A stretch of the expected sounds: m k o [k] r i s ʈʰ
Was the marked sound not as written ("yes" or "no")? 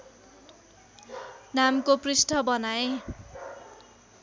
yes